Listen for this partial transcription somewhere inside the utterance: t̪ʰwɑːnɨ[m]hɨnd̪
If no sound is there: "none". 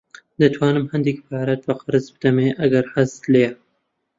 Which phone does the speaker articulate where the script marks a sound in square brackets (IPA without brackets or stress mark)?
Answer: m